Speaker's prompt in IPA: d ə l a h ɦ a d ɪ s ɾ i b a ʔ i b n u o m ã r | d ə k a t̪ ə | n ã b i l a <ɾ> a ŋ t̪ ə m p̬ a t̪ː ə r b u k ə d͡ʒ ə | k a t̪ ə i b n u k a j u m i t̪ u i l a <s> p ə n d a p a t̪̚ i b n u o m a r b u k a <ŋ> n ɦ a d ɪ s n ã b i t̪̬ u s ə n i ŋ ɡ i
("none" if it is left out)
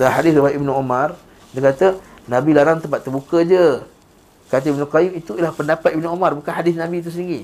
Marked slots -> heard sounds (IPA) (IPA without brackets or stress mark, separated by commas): ɾ, h, none